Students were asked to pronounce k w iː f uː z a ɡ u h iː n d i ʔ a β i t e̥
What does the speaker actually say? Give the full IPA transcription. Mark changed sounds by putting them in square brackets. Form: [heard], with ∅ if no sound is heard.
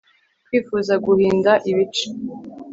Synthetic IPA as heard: k w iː f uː z a ɡ u h iː n d [a] ʔ [i] β i [t͡ʃ] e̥